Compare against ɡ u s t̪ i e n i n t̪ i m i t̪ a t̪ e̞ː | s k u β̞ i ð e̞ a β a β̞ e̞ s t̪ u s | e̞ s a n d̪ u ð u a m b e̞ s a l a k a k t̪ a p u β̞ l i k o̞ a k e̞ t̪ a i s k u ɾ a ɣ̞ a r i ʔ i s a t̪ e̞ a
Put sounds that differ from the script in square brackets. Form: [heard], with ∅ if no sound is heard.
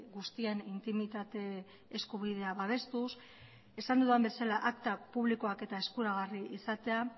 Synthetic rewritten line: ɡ u s t̪ i e n i n t̪ i m i t̪ a t̪ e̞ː | s k u β̞ i ð e̞ a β a β̞ e̞ s t̪ u s | e̞ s a n d̪ u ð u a m b e̞ s a l a [ʔ] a k t̪ a p u β̞ l i k o̞ a k e̞ t̪ a [e] s k u ɾ a ɣ̞ a r i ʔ i s a t̪ e̞ a